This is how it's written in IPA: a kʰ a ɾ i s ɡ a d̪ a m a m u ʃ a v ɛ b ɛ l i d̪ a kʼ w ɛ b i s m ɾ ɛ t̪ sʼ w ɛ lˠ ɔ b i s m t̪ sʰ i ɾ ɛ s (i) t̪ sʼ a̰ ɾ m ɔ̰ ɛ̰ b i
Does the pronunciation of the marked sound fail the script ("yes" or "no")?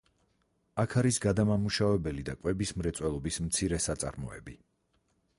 yes